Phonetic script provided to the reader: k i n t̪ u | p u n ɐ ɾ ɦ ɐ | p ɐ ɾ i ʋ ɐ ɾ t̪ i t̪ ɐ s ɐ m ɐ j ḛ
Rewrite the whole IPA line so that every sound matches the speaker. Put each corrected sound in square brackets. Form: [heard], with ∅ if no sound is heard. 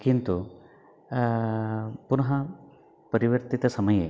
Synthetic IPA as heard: k i n t̪ u | p u n ɐ [∅] ɦ ɐ | p ɐ ɾ i ʋ ɐ ɾ t̪ i t̪ ɐ s ɐ m ɐ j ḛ